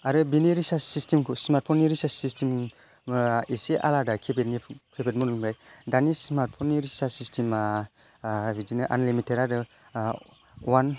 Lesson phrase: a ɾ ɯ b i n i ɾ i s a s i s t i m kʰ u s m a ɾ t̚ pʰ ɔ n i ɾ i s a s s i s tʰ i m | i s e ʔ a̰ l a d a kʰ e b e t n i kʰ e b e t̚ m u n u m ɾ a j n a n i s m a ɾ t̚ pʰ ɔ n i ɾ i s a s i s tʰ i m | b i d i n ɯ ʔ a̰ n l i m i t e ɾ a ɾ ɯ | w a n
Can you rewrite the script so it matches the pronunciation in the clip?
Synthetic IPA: a ɾ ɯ b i n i ɾ i s a s i s t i m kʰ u s m a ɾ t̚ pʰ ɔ n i ɾ i s a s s i s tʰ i m | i s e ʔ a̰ l a d a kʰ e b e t n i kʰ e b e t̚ m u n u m ɾ a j d a n i s m a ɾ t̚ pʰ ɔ n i ɾ i s a s i s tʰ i m | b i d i n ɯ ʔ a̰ n l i m i t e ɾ a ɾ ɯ | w a n